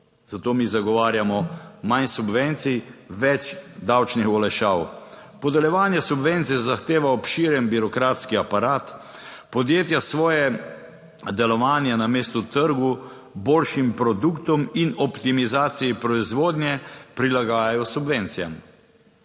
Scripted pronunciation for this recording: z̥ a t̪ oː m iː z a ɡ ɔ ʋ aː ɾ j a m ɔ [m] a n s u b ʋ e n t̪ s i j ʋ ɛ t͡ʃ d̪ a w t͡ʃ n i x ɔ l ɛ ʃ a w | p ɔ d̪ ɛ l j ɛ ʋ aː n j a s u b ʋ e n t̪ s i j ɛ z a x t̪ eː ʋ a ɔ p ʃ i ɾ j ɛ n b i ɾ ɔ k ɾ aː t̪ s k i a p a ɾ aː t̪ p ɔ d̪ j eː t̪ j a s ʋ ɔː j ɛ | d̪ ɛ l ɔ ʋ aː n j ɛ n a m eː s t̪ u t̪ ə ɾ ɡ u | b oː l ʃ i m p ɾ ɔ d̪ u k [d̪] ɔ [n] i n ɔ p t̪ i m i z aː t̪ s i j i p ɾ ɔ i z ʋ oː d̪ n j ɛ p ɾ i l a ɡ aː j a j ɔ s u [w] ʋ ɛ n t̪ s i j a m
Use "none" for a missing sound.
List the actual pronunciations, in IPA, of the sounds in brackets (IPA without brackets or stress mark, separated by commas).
m, t̪, m, b